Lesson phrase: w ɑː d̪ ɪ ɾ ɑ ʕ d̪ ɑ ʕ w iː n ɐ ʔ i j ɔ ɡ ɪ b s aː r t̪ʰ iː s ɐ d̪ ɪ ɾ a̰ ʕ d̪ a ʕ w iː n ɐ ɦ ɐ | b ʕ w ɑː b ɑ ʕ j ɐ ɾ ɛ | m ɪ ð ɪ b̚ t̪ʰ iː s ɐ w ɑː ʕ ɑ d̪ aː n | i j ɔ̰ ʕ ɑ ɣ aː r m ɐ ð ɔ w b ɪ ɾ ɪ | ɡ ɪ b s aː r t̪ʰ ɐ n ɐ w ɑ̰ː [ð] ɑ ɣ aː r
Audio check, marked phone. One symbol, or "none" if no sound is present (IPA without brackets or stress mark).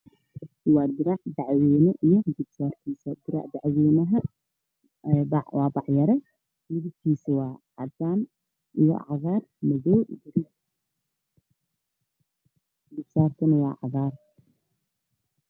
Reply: ʕ